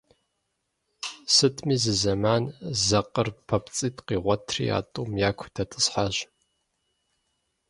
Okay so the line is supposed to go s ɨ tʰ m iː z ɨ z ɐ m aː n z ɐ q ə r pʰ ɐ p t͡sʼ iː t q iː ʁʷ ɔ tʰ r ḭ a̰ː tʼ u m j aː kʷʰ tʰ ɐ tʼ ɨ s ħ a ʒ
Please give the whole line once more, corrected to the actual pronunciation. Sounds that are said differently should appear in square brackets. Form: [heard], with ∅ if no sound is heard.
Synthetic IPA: s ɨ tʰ m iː z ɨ z ɐ m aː n z ɐ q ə r pʰ ɐ p t͡sʼ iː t q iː ʁʷ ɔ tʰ r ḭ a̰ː tʼ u m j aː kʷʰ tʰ ɐ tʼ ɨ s ħ a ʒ